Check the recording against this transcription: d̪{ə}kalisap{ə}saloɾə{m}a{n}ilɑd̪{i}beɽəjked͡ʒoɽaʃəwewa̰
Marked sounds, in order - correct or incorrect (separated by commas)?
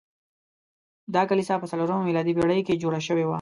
incorrect, correct, correct, incorrect, correct